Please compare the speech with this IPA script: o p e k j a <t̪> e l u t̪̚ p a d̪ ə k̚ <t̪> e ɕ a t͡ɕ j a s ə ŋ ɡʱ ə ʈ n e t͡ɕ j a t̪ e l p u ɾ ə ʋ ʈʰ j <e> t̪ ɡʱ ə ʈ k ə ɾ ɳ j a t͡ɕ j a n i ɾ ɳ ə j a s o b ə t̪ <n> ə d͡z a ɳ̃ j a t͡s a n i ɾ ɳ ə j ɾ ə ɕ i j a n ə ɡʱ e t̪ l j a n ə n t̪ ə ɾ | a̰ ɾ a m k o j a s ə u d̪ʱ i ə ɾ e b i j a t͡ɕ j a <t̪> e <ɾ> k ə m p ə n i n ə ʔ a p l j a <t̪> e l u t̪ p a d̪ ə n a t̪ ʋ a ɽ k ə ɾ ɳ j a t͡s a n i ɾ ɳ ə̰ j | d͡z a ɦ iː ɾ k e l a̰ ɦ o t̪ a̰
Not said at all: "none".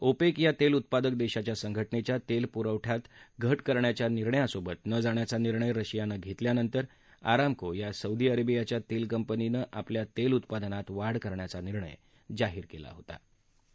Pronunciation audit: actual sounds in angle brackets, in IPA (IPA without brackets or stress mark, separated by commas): t̪, d̪, a, n, t̪, l, t̪